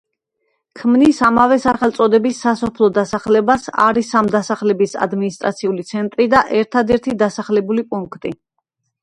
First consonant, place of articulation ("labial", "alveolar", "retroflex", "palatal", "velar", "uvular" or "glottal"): velar